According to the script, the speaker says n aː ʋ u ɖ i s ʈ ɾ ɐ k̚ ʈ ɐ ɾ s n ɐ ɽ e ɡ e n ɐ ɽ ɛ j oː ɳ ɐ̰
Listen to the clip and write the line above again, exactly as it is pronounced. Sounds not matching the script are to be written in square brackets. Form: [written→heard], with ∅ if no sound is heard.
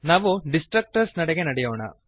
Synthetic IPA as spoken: n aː ʋ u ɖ i s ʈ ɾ ɐ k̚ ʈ ɐ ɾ s n ɐ ɽ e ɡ e n ɐ ɽ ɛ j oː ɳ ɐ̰

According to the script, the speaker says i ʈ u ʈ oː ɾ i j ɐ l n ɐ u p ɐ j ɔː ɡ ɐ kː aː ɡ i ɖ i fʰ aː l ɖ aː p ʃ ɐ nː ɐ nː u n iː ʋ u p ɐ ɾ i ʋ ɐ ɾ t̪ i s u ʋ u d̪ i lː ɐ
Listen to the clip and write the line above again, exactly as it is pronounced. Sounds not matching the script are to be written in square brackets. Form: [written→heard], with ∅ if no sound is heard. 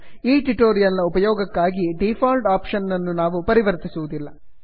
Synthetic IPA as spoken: [i→iː] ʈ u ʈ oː ɾ i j ɐ l n ɐ u p ɐ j ɔː ɡ ɐ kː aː ɡ i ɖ i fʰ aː l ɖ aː p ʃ ɐ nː ɐ nː u n [iː→aː] ʋ u p ɐ ɾ i ʋ ɐ ɾ t̪ i s u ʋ u d̪ i lː ɐ

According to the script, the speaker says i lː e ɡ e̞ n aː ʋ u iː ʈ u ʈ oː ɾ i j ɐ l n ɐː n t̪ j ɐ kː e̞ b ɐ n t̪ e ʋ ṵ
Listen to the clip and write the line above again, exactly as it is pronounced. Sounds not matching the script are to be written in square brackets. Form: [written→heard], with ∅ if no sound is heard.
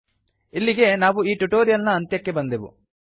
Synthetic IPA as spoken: i lː [e→i] ɡ e̞ n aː ʋ u iː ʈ u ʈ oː ɾ i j ɐ l n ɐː n t̪ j ɐ kː e̞ b ɐ n [t̪→d̪] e ʋ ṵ

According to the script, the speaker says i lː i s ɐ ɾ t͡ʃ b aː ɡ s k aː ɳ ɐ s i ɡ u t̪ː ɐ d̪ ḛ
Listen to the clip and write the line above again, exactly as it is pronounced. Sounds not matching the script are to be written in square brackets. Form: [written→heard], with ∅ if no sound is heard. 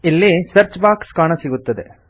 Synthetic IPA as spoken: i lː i s ɐ ɾ t͡ʃ b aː [ɡ→k] s k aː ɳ ɐ s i ɡ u t̪ː ɐ d̪ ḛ

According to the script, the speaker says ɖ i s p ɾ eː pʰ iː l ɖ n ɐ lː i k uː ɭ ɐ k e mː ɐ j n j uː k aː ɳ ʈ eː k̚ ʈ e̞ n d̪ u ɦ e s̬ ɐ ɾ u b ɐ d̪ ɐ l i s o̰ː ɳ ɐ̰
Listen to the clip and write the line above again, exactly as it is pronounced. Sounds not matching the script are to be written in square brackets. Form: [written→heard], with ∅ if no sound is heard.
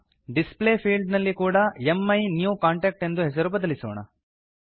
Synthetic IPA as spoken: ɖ i s p [ɾ→l] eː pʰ iː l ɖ n ɐ lː i k uː [ɭ→ɽ] ɐ [k→∅] e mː ɐ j n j uː k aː ɳ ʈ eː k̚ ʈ e̞ n d̪ u ɦ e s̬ ɐ ɾ u b ɐ d̪ ɐ l i s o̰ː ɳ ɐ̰

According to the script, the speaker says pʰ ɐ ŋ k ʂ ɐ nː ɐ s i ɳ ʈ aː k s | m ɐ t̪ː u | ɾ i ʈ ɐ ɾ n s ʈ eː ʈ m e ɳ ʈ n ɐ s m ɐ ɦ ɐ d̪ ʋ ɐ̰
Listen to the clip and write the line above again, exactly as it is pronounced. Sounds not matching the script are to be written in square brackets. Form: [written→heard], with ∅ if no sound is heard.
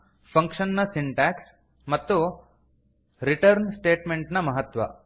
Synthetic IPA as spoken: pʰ ɐ ŋ k ʂ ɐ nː ɐ s i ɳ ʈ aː k s | m ɐ t̪ː u | ɾ i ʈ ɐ ɾ n s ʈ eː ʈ m e ɳ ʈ n ɐ [s→∅] m ɐ ɦ ɐ [d̪→t̪] ʋ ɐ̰

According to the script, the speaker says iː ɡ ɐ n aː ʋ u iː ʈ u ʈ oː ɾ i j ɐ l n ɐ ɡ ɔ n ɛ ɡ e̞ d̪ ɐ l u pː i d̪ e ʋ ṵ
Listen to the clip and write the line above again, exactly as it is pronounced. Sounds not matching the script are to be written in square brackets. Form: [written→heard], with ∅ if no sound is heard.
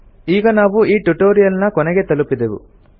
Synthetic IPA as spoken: iː ɡ ɐ n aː ʋ u iː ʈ u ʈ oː ɾ i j ɐ l n ɐ [ɡ→k] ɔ n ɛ ɡ e̞ [d̪→t̪] ɐ l u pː i d̪ e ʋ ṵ

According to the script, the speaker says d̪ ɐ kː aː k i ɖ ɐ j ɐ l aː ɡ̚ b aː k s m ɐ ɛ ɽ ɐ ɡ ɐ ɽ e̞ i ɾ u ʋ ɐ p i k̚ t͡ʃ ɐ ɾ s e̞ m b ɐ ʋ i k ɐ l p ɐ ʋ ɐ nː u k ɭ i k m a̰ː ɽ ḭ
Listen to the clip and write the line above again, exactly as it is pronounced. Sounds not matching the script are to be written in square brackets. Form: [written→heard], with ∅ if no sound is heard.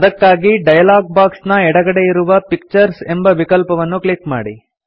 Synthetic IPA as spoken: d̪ ɐ kː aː [k→ɡ] i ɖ ɐ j ɐ l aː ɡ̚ b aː k s [m→n] ɐ ɛ ɽ ɐ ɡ ɐ ɽ e̞ i ɾ u ʋ ɐ p i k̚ t͡ʃ ɐ ɾ s e̞ m b ɐ ʋ i k ɐ l p ɐ ʋ ɐ nː u k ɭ i k m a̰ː ɽ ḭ

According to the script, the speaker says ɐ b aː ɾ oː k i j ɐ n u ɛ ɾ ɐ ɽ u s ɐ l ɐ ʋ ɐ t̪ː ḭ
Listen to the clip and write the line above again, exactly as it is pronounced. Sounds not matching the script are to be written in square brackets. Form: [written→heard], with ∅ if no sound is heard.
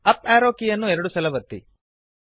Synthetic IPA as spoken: ɐ [b→p] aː ɾ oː k i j ɐ [n→nː] u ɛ ɾ ɐ ɽ u s ɐ l ɐ ʋ ɐ t̪ː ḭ

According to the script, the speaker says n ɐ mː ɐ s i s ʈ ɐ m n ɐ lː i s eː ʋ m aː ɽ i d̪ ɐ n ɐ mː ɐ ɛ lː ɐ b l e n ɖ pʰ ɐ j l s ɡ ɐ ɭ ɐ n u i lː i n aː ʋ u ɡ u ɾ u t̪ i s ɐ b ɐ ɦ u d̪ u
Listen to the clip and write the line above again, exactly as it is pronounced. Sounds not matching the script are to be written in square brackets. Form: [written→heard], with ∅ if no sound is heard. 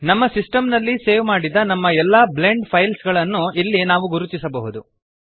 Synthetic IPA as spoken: n ɐ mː ɐ s i s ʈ ɐ m n ɐ lː i s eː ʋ m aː ɽ i d̪ ɐ n ɐ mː ɐ ɛ lː ɐ b l e [n→ɳ] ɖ pʰ ɐ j l s ɡ ɐ ɭ ɐ [n→nː] u i lː i n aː ʋ u ɡ u ɾ u t̪ i s ɐ b ɐ ɦ u d̪ u

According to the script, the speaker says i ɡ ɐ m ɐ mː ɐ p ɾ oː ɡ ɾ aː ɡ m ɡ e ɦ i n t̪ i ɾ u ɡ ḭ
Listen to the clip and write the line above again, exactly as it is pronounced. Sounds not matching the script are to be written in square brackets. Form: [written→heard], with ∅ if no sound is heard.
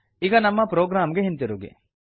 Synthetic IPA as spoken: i ɡ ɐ [m→n] ɐ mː ɐ p ɾ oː ɡ ɾ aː [ɡ→∅] m ɡ e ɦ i n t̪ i ɾ u ɡ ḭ

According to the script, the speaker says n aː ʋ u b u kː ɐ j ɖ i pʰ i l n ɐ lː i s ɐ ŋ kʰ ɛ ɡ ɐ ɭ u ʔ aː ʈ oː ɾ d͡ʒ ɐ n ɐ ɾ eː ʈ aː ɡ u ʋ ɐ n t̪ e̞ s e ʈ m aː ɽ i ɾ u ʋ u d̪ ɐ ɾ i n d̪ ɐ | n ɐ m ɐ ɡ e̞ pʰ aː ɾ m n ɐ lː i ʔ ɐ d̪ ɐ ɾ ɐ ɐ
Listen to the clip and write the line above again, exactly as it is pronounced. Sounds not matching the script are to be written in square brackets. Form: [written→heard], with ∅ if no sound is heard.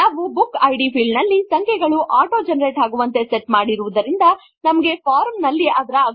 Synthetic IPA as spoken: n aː ʋ u b u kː ɐ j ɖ i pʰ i l n ɐ lː i s ɐ ŋ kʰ ɛ ɡ ɐ ɭ u ʔ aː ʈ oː [ɾ→∅] d͡ʒ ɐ n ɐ ɾ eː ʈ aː ɡ u ʋ ɐ n t̪ e̞ s e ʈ m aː ɽ i ɾ u ʋ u d̪ ɐ ɾ i n d̪ ɐ | n ɐ m ɐ ɡ e̞ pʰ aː ɾ m n ɐ lː i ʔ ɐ d̪ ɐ ɾ ɐ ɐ

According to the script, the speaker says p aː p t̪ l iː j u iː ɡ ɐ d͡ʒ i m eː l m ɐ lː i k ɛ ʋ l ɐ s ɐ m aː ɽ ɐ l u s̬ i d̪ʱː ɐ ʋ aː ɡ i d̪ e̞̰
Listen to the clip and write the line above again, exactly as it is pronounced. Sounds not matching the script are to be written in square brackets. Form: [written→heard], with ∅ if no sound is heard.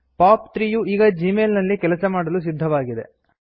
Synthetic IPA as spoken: p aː p t̪ [l→ɾ] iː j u iː ɡ ɐ d͡ʒ i m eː l [m→n] ɐ lː i k ɛ [ʋ→∅] l ɐ s ɐ m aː ɽ ɐ l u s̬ i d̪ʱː ɐ ʋ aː ɡ i d̪ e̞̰

